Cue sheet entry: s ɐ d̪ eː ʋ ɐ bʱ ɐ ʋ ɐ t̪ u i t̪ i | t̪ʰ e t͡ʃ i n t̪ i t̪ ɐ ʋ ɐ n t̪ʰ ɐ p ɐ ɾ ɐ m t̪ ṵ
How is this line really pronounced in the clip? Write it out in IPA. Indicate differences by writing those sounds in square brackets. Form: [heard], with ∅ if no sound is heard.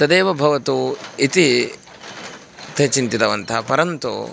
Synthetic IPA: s ɐ d̪ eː ʋ ɐ bʱ ɐ ʋ ɐ t̪ u i t̪ i | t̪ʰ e t͡ʃ i n t̪ i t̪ ɐ ʋ ɐ n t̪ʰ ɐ p ɐ ɾ ɐ [n] t̪ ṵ